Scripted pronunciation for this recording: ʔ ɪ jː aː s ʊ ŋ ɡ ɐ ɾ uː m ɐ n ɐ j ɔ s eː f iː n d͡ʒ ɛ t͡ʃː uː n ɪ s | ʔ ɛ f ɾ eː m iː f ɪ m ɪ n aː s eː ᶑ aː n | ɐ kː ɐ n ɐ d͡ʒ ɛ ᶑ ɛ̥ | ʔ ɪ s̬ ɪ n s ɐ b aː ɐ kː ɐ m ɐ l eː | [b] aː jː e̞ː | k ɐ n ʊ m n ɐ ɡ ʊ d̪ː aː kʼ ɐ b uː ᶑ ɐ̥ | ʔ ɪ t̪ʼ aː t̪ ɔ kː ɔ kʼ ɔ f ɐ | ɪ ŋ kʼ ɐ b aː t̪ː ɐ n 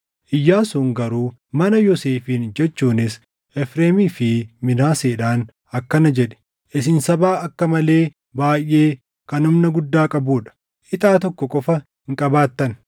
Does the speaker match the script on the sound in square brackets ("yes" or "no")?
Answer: yes